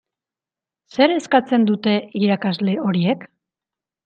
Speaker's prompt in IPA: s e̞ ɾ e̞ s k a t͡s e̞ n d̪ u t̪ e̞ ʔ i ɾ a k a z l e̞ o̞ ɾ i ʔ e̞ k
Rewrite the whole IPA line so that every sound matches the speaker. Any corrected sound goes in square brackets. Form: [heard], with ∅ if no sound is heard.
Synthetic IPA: s e̞ ɾ e̞ s k a t͡s e̞ n d̪ u t̪ e̞ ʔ i ɾ a k a z l e̞ o̞ ɾ i [∅] e̞ k